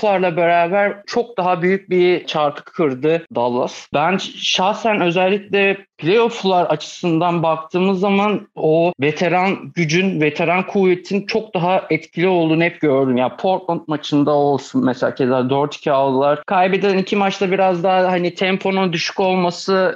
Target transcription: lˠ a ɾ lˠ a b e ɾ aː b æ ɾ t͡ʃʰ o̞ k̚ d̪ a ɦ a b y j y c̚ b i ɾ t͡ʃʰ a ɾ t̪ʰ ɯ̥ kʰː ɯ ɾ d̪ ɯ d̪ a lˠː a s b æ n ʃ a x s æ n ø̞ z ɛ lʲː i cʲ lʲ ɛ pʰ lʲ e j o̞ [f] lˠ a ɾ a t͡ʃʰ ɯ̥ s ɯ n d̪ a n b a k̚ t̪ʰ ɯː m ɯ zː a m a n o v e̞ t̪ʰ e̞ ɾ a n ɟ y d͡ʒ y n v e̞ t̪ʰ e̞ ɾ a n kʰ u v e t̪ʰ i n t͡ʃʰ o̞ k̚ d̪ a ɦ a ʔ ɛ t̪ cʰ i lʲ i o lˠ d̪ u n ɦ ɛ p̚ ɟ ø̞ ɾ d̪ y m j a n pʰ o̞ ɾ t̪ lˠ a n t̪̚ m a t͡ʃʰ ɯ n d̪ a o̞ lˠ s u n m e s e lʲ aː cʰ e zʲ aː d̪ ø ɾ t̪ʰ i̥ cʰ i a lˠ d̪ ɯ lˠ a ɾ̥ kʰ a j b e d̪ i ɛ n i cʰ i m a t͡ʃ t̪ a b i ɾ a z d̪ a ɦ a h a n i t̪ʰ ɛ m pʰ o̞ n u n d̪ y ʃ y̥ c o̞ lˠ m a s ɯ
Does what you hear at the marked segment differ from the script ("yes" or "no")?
no